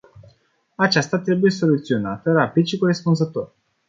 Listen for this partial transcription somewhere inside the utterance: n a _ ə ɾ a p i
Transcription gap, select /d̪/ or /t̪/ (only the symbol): t̪